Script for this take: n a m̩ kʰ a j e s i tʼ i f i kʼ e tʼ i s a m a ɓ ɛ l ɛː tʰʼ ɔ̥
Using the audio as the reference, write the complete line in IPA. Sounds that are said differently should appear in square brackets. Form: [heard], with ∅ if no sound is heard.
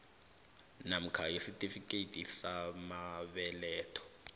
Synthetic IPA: n a m̩ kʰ a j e s i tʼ i f i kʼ e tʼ i s a m a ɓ ɛ l ɛː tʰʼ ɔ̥